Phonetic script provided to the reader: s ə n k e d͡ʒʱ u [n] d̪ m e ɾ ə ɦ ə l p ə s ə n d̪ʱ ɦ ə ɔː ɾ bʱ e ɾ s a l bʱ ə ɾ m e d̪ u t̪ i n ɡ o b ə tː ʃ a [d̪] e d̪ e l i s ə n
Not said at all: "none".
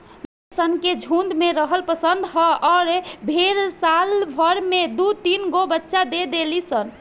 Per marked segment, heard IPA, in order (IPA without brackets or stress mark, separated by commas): n, d̪